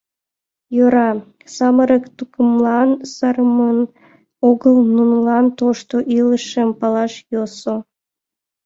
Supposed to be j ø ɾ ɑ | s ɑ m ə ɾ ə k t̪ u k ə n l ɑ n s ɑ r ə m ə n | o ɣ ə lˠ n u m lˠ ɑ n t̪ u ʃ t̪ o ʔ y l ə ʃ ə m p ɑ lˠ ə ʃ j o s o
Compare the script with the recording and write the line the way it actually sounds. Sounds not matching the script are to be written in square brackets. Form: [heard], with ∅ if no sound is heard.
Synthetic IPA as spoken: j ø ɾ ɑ | s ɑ m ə ɾ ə k t̪ u k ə [m] l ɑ n s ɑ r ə m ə n | o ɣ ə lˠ n u [n] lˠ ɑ n t̪ [o] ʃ t̪ o ʔ [i] l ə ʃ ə m p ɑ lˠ [ɑ] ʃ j o s o